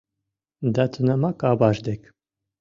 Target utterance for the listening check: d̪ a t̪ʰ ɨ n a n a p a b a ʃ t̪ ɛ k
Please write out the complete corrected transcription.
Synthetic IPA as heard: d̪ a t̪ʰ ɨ n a m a k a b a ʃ d̪ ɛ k